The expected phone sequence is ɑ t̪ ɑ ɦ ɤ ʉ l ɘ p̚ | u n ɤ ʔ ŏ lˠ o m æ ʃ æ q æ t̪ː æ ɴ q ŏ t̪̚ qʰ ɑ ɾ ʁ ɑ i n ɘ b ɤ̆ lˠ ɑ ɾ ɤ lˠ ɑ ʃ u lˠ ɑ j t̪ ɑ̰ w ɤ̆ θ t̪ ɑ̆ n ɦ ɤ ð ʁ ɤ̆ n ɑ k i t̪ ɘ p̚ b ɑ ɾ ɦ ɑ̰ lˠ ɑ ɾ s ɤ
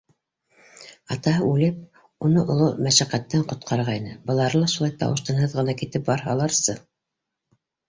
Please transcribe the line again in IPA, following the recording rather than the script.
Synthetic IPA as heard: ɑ t̪ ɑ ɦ ɤ ʉ l ɘ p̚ | u n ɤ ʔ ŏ lˠ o m æ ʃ æ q æ t̪ː æ ɴ q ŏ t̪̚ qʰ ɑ ɾ ʁ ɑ i n ɘ b ɤ̆ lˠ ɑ ɾ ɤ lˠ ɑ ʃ u lˠ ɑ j t̪ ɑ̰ w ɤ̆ ʃ t̪ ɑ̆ n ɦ ɤ ð ʁ ɤ̆ n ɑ k i t̪ ɘ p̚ b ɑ ɾ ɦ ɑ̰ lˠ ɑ ɾ s ɤ